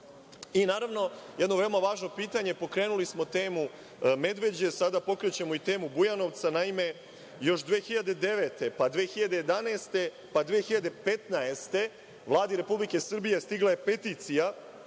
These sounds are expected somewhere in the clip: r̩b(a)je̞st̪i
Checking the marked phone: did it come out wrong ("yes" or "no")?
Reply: yes